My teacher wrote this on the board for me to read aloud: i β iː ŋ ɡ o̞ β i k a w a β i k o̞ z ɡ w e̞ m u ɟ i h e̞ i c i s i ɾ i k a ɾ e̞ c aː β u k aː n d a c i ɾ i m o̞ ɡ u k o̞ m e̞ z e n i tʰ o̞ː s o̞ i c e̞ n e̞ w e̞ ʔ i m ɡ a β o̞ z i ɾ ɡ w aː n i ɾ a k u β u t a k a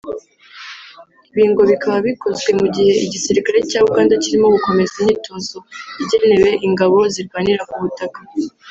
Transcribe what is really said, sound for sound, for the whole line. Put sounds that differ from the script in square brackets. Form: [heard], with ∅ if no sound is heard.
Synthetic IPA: i β iː ŋ ɡ o̞ β i k a [β] a β i k o̞ z ɡ w e̞ m u ɟ i h e̞ i [ɟ] i s i ɾ i k a ɾ e̞ c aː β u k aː n d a c i ɾ i m o̞ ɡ u k o̞ m e̞ z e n i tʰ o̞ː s o̞ i [ɟ] e̞ n e̞ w e̞ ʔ i [ŋ] ɡ a β o̞ z i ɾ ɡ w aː n i ɾ a k u β u t a k a